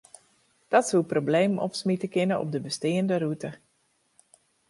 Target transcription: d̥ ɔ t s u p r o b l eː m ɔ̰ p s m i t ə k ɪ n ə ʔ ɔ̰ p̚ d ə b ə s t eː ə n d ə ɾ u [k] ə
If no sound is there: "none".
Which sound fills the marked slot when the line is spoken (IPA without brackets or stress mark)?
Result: t